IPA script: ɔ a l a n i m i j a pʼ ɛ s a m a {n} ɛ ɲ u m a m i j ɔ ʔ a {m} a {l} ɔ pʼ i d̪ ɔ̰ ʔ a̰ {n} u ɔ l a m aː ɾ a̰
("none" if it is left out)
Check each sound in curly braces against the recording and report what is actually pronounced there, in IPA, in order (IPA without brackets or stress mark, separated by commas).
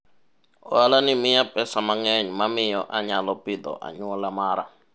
ŋ, ɲ, l, ɲ